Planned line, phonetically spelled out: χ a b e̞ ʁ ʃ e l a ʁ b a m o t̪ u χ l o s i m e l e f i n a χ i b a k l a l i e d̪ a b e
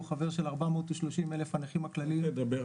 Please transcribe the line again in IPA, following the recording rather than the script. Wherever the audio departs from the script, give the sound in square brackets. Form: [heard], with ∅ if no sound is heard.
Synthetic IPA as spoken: χ a [v] e̞ ʁ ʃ e l a ʁ b a m o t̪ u [ʃ] l o [ʃ] i m e l e f [a] n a χ i [m] a k l a l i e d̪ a b e